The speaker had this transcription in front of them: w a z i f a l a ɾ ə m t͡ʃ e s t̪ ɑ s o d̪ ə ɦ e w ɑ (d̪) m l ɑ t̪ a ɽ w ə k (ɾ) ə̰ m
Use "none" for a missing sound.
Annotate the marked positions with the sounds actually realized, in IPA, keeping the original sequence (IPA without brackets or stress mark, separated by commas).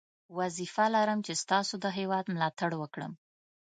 d̪, ɽ